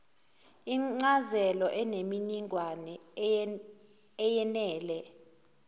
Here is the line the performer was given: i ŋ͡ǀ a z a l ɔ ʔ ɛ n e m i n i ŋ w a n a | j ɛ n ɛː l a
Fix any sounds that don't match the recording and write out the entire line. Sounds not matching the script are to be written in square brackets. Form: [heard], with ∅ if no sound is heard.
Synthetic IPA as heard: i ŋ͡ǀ a z [ɛ] l ɔ ʔ ɛ n e m i n i ŋ w a n [ɛ] | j ɛ n ɛː l [ɛ]